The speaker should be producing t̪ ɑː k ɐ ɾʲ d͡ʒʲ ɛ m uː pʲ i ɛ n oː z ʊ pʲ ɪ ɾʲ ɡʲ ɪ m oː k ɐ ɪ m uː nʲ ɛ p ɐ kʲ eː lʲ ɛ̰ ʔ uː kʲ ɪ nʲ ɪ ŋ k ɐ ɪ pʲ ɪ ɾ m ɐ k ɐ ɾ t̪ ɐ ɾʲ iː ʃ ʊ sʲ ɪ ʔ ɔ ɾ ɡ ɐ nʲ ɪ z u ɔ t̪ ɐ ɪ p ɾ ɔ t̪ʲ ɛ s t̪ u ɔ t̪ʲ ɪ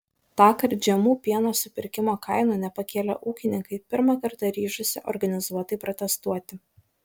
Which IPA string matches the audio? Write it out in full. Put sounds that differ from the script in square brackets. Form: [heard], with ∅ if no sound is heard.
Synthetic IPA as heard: t̪ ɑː k ɐ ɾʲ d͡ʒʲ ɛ m uː pʲ i ɛ n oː [s] ʊ pʲ ɪ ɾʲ [kʲ] ɪ m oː k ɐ ɪ [n] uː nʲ ɛ p ɐ kʲ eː lʲ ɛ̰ ʔ uː kʲ ɪ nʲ ɪ ŋ k ɐ ɪ pʲ ɪ ɾ m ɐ k ɐ ɾ t̪ ɐ ɾʲ iː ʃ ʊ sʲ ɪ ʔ ɔ ɾ ɡ ɐ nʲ ɪ z u ɔ t̪ ɐ ɪ p ɾ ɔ t̪ʲ ɛ s t̪ u ɔ t̪ʲ ɪ